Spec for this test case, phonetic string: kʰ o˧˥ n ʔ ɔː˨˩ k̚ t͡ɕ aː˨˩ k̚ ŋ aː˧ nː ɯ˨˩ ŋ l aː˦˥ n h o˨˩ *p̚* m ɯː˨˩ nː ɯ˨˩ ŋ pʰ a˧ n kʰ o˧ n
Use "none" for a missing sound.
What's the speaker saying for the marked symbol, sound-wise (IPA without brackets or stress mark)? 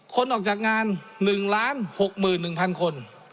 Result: k̚